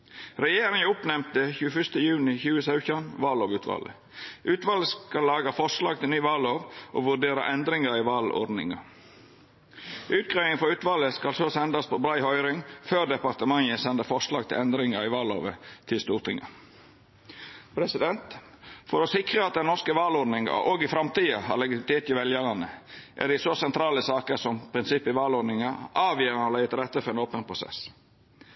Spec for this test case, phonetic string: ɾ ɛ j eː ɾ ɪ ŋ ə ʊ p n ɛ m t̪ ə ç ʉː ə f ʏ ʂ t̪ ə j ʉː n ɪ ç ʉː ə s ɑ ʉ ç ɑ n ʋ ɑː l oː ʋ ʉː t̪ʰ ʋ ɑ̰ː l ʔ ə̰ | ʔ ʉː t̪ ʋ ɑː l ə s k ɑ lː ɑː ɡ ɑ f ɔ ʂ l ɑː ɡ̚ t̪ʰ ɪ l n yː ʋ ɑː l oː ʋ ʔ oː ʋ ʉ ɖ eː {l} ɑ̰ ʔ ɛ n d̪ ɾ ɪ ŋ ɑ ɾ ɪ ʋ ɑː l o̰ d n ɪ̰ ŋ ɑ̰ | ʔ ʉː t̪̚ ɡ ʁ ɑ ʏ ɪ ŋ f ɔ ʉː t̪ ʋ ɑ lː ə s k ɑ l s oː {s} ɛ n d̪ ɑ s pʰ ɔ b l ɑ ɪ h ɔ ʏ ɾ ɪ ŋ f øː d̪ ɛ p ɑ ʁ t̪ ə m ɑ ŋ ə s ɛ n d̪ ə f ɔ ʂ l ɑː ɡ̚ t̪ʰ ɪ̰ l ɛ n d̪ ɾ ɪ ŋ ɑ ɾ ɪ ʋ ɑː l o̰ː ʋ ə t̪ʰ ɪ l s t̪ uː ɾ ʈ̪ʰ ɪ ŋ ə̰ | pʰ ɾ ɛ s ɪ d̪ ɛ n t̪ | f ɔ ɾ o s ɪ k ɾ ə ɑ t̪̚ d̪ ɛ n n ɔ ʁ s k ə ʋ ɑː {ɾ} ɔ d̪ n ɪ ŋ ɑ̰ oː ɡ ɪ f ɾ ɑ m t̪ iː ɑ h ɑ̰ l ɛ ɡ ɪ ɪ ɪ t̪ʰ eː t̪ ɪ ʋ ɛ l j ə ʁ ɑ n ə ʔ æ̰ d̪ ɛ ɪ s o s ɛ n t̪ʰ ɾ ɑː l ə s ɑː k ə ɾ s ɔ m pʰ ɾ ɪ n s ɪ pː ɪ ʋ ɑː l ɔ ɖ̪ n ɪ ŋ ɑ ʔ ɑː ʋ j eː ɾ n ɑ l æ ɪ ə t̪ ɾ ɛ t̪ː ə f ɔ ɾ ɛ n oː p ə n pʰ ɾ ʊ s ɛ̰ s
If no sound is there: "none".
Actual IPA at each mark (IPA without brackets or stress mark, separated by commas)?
ɾ, s, l